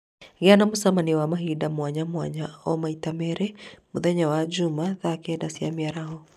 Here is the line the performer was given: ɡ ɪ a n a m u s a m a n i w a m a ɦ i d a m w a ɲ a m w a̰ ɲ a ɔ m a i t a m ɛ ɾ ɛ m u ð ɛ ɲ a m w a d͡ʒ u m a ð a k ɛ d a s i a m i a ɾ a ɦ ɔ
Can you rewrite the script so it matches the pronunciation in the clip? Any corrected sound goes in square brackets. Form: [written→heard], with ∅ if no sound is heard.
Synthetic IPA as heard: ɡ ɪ a n a m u s a m a n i w a m a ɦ i d a m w a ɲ a m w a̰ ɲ a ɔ m a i t a m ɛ ɾ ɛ m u ð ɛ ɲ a [m→∅] w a d͡ʒ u m a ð a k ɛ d a s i a m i a ɾ a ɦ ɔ